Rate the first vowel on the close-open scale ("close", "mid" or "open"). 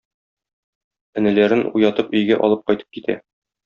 mid